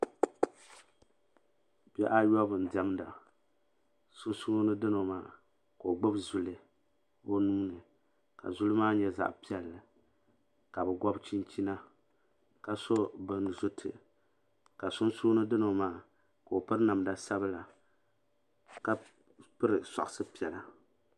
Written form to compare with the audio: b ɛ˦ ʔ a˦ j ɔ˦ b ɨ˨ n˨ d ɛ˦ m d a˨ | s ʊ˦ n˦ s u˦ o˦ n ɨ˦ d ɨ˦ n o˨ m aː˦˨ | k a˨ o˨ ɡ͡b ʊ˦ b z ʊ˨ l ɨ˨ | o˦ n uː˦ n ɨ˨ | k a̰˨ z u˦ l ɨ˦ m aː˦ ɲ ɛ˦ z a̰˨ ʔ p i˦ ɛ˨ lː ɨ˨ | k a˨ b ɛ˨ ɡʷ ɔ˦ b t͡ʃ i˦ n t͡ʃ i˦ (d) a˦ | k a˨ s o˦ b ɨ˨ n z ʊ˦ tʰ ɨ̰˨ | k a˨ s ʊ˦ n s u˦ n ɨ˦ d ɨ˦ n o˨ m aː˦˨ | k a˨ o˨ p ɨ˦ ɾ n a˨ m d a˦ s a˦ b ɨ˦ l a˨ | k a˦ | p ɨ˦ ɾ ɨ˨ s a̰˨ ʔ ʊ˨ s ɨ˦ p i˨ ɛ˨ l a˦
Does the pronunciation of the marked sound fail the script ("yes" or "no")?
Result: yes